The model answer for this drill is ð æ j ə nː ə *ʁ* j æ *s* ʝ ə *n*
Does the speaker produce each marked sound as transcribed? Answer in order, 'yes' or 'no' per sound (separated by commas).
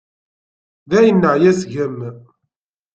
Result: no, yes, no